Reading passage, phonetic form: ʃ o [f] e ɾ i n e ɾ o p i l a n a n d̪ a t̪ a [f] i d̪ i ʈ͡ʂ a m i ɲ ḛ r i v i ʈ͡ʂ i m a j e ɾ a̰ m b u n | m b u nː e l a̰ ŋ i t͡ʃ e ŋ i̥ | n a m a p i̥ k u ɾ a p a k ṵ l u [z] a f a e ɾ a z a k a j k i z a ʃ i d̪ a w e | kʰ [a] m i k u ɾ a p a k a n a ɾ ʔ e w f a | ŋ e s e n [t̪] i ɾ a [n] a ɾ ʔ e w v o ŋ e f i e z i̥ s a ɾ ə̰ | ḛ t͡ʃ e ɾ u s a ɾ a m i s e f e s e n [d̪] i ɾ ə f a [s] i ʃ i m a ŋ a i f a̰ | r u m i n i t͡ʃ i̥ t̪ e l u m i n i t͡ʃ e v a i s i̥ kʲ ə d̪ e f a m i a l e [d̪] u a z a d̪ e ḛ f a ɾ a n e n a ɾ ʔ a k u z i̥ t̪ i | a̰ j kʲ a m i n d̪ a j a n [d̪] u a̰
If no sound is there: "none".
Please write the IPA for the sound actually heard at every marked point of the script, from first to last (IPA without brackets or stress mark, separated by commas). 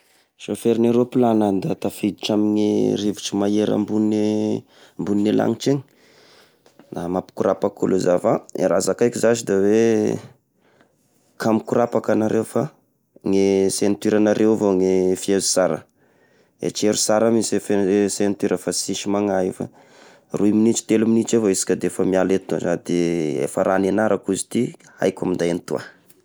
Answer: f, f, z, a, t̪, n, t̪, s, t̪, t̪